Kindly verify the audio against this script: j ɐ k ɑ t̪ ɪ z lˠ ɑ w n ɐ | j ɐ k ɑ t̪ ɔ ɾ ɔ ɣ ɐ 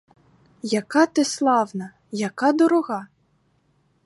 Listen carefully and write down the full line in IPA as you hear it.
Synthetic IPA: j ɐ k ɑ t̪ ɪ s lˠ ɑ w n ɐ | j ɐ k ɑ d̪ ɔ ɾ ɔ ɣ ɑ